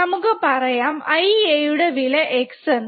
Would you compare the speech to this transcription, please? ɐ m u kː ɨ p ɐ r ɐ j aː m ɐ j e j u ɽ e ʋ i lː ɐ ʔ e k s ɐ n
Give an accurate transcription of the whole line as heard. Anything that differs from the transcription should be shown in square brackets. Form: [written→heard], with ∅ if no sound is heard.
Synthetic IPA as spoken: ɐ m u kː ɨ p ɐ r ɐ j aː m ɐ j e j u ɽ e ʋ i [lː→l] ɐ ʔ e k s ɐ n